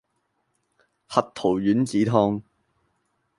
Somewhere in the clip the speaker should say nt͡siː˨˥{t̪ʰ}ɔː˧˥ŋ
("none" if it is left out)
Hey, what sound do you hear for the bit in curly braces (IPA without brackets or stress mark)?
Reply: t̪ʰ